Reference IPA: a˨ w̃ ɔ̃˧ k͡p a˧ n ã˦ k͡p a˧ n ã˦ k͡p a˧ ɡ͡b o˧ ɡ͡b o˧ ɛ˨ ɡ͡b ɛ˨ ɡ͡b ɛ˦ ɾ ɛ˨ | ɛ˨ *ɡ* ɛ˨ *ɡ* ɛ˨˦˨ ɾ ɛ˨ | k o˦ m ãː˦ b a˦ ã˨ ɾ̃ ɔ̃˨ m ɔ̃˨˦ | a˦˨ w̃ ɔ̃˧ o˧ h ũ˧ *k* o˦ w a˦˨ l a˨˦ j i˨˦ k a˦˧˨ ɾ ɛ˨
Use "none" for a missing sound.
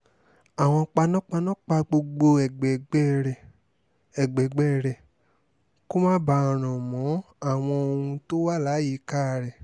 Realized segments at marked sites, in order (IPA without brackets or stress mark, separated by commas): ɡ͡b, ɡ͡b, t